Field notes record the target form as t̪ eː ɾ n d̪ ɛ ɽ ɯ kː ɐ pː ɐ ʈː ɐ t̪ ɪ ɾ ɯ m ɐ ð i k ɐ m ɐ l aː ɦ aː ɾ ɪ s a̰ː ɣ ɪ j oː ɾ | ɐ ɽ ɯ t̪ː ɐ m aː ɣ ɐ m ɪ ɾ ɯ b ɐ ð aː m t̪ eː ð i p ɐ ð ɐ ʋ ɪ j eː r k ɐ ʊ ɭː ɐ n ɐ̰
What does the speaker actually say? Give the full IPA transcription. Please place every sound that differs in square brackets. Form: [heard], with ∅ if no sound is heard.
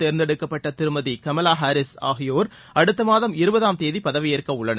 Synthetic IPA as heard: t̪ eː ɾ n d̪ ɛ ɽ ɯ kː ɐ pː ɐ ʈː ɐ t̪ ɪ ɾ ɯ m ɐ ð i k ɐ m ɐ l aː ɦ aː ɾ ɪ s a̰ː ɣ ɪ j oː ɾ | ɐ ɽ ɯ t̪ː ɐ m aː [ð] ɐ m ɪ ɾ ɯ b ɐ ð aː m t̪ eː ð i p ɐ ð ɐ ʋ ɪ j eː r k ɐ ʊ ɭː ɐ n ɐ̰